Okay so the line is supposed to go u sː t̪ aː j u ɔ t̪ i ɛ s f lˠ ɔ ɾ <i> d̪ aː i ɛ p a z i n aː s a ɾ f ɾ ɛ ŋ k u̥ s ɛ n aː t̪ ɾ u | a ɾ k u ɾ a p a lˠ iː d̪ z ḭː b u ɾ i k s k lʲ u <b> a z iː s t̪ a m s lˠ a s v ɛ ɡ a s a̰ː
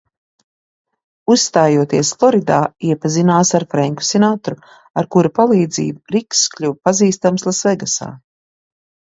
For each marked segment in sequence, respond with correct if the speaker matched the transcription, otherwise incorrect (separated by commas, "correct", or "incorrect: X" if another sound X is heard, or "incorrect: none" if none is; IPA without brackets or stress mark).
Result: correct, incorrect: p